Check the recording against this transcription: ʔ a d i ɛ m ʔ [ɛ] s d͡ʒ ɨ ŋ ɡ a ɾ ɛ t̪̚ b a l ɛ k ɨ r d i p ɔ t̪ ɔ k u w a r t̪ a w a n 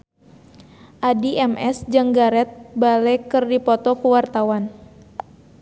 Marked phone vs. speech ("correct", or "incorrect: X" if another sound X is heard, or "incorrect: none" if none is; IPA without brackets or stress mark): correct